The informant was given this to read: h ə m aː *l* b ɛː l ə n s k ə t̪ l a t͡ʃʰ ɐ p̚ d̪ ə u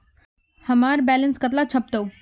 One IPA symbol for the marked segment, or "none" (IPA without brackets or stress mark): ɾ